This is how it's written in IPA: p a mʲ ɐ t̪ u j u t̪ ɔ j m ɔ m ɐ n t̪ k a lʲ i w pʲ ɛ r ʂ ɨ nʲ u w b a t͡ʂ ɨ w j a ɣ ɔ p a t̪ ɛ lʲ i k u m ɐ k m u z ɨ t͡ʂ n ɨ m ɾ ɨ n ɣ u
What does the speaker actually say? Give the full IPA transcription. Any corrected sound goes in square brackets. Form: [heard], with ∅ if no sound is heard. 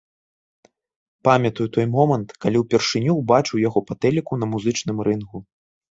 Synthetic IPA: p a mʲ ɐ t̪ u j u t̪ ɔ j m ɔ m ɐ n t̪ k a lʲ i w pʲ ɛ r ʂ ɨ nʲ u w b a t͡ʂ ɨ w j a ɣ ɔ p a t̪ ɛ lʲ i k u [n] ɐ [∅] m u z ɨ t͡ʂ n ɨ m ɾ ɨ n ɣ u